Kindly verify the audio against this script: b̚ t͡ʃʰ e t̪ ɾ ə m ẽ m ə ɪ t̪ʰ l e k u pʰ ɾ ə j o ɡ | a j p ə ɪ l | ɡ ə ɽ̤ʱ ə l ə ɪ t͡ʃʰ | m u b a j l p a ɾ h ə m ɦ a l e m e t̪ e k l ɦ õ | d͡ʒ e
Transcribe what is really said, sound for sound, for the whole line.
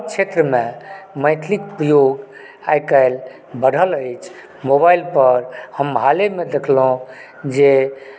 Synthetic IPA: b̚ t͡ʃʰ e t̪ ɾ ə m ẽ m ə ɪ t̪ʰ l i k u p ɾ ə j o ɡ | a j k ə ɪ l | b ə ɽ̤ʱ ə l ə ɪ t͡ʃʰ | m o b a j l p ə ɾ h ə m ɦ a l e m e d̪ e kʰ l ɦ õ | d͡ʒ e